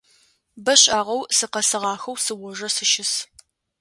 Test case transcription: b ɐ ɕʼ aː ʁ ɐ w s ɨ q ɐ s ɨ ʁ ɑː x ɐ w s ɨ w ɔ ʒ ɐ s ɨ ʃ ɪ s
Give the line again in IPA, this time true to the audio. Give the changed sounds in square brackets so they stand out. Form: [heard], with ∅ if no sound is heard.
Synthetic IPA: b ɐ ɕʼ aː ʁ ɐ w s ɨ q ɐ s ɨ ʁ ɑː x ɐ w s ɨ w ɔ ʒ ɐ s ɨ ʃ ɪ s